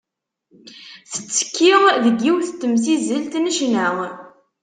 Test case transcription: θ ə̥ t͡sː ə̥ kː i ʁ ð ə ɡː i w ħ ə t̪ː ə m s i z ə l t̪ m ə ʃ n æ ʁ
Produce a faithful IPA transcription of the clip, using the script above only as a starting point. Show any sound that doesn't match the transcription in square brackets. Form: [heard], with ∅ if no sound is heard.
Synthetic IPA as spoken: θ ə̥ t͡sː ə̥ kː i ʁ ð ə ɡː i w [θ] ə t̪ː ə m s i z ə l t̪ [n] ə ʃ n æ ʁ